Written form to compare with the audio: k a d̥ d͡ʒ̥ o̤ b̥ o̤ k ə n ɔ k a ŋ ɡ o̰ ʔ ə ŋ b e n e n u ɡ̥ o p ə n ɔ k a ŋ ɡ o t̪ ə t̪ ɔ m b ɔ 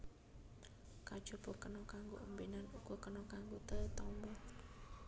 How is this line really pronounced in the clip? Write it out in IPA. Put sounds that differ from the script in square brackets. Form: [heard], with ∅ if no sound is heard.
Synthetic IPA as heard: k a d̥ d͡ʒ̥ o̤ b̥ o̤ k ə n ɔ k a ŋ ɡ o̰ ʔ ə [m] b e n [a] n u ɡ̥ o [k] ə n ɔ k a ŋ ɡ o t̪ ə t̪ ɔ m b ɔ